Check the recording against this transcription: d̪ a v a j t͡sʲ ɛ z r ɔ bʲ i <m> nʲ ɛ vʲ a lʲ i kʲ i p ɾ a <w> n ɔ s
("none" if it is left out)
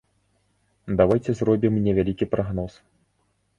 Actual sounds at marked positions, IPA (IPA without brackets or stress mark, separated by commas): m, ɣ